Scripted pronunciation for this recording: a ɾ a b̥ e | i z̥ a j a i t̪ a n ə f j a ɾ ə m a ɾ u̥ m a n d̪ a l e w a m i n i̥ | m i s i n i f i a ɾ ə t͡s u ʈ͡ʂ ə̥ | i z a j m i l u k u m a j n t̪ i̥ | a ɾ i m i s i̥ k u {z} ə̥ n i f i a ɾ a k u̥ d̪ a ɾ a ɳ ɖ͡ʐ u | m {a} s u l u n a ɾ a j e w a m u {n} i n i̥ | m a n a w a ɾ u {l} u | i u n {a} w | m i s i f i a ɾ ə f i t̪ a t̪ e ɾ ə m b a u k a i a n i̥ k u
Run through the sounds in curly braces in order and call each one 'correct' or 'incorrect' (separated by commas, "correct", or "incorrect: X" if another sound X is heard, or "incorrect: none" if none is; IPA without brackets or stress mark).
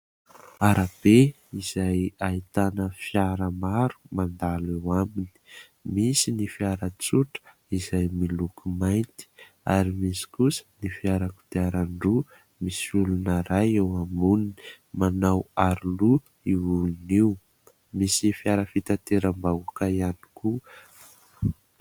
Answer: incorrect: s, incorrect: i, correct, correct, incorrect: i